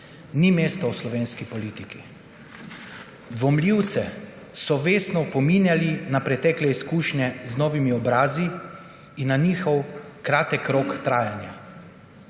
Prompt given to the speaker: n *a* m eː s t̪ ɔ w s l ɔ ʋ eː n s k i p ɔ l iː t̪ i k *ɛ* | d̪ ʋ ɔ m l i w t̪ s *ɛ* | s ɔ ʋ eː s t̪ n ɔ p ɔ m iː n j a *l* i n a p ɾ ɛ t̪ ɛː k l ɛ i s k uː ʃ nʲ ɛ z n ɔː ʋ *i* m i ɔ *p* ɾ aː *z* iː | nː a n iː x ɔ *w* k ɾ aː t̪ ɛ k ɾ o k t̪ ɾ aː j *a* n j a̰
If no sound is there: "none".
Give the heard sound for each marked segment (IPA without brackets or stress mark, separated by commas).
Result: i, i, ɛ, l, i, b, z, w, a